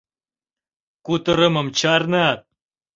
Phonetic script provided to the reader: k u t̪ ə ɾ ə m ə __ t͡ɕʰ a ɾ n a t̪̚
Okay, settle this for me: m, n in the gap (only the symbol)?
m